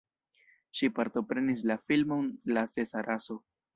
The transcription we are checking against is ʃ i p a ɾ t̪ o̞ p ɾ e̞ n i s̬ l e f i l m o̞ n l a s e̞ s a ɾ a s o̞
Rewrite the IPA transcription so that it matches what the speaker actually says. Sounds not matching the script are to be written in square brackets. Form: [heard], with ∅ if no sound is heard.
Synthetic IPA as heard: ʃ i p a ɾ t̪ o̞ p ɾ e̞ n i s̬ l [a] f i l m o̞ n l a s e̞ s a ɾ a s o̞